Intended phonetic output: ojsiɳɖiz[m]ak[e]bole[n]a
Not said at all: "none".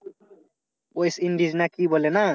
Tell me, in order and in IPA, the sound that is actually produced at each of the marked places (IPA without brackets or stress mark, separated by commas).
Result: n, i, n